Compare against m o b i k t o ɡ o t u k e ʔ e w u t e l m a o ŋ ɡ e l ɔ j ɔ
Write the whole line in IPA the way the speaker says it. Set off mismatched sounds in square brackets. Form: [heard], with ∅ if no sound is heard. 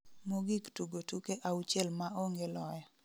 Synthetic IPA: m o [ɡ] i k t [u] ɡ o t u k e ʔ [a] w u [t͡ʃ] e l m a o ŋ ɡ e l ɔ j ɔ